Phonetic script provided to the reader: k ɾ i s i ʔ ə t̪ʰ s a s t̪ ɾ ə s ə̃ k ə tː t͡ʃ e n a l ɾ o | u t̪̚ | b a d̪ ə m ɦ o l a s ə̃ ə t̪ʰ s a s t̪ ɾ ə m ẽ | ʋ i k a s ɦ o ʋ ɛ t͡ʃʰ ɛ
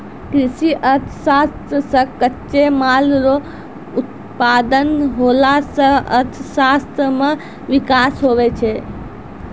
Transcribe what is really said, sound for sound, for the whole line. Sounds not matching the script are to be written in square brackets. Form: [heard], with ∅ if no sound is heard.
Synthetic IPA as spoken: k ɾ i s i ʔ ə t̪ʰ s a s t̪ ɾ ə s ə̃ k ə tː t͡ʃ e [m] a l ɾ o | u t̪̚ | [p] a d̪ ə [n] ɦ o l a s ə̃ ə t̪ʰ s a s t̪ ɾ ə m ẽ | ʋ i k a s ɦ o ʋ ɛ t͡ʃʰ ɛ